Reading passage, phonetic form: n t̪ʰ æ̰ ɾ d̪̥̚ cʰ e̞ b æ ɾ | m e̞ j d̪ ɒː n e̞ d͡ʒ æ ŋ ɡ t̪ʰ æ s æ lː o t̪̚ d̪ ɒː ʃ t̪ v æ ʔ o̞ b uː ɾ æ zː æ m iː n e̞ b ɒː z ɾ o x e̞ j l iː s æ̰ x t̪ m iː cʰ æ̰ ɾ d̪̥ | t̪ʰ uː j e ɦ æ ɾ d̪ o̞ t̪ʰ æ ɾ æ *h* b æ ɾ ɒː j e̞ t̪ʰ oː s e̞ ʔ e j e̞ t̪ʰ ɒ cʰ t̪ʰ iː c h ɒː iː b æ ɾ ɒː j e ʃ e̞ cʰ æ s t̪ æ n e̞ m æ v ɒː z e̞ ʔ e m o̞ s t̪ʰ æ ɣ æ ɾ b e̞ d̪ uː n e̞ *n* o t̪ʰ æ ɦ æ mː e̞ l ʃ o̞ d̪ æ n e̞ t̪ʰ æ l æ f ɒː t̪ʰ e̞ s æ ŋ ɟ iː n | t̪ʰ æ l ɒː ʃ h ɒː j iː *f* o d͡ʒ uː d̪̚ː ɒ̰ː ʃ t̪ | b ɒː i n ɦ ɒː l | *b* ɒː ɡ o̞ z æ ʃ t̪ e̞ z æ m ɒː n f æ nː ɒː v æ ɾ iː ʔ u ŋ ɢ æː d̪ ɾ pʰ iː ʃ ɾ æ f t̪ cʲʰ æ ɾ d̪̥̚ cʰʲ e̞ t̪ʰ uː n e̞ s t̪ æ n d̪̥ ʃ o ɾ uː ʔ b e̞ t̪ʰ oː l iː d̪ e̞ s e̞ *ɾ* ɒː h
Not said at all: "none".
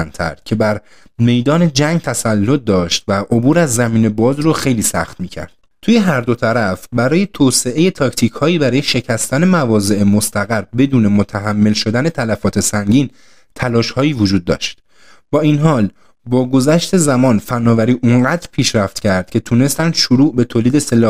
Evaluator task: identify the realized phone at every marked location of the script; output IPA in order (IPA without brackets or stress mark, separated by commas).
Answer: f, m, v, b, l